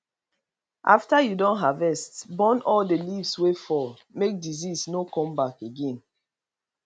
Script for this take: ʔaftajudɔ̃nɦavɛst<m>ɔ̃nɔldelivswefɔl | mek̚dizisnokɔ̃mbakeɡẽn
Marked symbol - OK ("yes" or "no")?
no